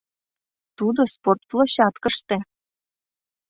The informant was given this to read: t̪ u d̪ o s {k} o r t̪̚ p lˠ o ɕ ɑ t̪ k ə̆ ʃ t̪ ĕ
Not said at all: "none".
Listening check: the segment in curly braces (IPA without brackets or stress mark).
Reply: p